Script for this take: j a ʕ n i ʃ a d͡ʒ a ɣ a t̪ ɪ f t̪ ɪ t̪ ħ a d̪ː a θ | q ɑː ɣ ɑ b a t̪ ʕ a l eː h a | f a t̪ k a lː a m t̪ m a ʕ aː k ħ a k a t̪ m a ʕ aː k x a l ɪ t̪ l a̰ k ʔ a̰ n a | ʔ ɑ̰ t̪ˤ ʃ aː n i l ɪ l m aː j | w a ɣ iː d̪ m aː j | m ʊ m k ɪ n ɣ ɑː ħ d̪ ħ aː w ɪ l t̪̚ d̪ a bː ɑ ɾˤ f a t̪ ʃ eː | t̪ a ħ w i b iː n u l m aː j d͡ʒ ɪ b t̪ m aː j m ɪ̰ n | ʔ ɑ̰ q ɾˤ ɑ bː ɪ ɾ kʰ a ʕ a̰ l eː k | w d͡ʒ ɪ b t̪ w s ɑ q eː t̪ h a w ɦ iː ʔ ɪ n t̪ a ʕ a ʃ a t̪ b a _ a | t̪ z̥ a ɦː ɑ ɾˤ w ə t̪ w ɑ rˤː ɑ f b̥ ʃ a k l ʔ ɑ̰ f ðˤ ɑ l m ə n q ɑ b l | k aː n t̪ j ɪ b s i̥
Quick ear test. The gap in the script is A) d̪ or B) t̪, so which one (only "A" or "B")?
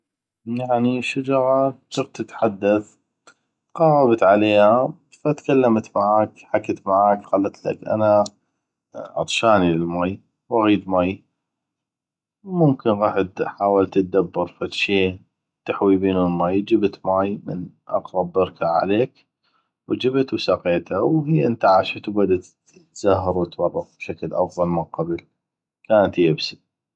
A